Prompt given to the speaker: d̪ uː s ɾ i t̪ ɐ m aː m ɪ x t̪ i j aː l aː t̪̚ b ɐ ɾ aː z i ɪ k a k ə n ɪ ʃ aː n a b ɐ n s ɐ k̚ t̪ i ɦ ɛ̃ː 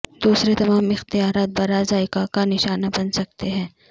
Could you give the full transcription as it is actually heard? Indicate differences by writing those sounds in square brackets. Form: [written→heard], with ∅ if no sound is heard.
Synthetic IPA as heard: d̪ uː s ɾ [i→e] t̪ ɐ m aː m ɪ x t̪ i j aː [l→ɾ] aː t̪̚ b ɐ ɾ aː z [i→a] ɪ k a k [ə→a] n ɪ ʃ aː n a b ɐ n s ɐ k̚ t̪ [i→e] ɦ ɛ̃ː